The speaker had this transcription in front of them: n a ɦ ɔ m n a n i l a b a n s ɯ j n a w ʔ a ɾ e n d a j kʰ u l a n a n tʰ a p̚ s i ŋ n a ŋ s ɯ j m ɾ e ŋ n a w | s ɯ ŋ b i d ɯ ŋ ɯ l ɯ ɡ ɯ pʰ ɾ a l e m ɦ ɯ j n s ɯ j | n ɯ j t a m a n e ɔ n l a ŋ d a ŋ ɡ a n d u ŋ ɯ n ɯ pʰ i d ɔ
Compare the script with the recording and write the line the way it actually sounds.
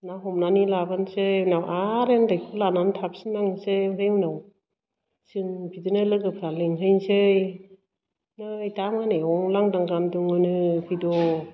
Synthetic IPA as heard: n a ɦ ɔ m n a n i l a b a n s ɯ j n a w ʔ a ɾ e n d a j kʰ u l a n a n tʰ a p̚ s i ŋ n a ŋ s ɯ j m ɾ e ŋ n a w | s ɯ ŋ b i d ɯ n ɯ l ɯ ɡ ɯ pʰ ɾ a l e ŋ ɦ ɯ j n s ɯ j | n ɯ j t a m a n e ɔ ŋ l a ŋ d a ŋ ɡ a n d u ŋ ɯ n ɯ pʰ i d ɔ